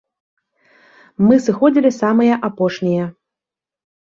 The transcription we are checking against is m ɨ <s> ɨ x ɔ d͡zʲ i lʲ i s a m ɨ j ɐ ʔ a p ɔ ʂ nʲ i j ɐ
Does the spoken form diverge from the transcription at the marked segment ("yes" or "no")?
no